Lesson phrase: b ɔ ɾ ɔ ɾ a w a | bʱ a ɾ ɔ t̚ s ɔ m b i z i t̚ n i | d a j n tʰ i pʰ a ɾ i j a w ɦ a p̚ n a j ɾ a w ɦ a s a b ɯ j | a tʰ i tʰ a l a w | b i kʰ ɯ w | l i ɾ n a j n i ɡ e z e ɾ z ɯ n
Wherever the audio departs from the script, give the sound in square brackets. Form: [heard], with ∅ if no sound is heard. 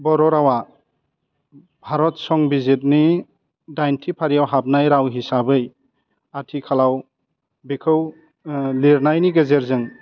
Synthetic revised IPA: b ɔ ɾ ɔ ɾ a w a | bʱ a ɾ ɔ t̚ s ɔ [ŋ] b i z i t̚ n i | d a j n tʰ i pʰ a ɾ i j a w ɦ a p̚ n a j ɾ a w ɦ [i] s a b ɯ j | a tʰ i [kʰ] a l a w | b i kʰ ɯ w | l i ɾ n a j n i ɡ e z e ɾ z ɯ [ŋ]